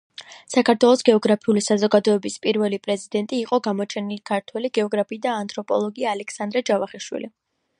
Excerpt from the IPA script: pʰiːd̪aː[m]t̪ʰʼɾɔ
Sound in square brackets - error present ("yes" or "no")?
yes